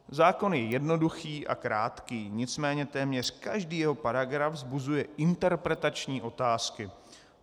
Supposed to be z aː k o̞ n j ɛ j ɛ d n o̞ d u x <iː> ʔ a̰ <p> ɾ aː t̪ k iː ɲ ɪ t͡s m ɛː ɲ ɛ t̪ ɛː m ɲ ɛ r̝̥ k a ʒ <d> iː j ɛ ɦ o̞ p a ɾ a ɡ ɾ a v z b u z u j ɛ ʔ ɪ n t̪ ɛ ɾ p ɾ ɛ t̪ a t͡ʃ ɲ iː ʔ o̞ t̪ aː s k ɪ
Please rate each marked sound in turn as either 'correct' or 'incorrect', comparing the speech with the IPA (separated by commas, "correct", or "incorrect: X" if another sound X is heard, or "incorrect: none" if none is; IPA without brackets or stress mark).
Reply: correct, incorrect: k, correct